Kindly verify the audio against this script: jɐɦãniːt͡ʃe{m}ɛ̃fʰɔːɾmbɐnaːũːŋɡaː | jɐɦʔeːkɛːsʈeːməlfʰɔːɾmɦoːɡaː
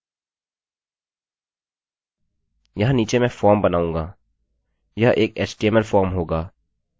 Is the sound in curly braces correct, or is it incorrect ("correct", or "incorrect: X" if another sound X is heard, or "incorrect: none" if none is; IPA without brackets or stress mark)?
correct